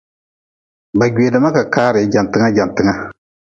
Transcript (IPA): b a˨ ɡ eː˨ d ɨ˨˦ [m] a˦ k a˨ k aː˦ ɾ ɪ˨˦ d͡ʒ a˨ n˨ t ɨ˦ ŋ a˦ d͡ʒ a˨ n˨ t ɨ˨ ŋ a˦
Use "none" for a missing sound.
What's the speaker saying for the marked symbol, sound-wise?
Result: m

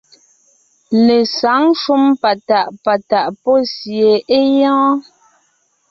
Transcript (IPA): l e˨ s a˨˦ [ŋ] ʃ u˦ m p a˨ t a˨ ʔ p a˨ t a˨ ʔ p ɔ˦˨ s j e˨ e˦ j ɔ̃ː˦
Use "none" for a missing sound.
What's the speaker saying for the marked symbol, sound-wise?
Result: ŋ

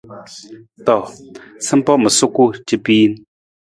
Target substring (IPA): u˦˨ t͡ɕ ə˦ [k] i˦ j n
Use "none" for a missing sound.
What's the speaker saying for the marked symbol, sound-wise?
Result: p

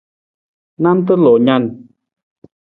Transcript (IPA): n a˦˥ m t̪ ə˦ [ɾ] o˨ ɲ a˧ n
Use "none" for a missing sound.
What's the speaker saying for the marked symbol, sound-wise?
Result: l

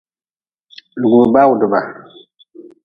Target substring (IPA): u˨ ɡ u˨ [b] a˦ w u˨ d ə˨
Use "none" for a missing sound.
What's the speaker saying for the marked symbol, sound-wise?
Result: b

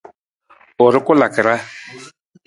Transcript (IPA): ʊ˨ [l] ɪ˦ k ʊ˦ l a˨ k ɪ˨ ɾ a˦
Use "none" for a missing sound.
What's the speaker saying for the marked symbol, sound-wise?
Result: ɾ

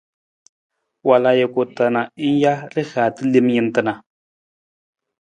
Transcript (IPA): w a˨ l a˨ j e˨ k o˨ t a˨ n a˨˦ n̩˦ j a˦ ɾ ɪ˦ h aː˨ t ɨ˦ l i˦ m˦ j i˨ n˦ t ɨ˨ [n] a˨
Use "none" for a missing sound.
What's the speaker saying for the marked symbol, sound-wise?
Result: n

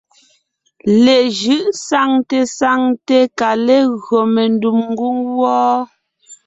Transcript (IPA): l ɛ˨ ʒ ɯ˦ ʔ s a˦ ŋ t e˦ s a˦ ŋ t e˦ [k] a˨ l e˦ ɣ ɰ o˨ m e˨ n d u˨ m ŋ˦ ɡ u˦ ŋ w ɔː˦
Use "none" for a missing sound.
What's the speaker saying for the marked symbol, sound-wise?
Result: k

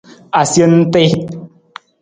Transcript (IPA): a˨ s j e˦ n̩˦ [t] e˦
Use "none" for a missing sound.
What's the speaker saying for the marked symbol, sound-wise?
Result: t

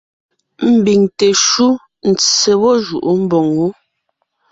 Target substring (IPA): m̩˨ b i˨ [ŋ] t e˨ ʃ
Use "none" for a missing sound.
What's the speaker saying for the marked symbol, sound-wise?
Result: ŋ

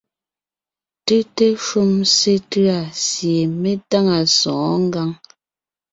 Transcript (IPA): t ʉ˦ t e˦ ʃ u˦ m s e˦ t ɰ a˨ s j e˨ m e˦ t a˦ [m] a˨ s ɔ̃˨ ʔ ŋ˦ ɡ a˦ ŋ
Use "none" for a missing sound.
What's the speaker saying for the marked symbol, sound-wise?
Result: ŋ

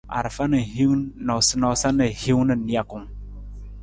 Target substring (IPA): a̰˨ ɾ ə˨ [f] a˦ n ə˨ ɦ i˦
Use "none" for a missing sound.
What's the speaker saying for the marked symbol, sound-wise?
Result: f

